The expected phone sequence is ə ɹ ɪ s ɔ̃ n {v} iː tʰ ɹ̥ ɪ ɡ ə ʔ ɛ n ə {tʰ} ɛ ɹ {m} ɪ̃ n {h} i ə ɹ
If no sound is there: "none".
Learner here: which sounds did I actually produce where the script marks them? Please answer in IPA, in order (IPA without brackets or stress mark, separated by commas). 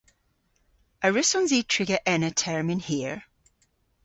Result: z, tʰ, m, h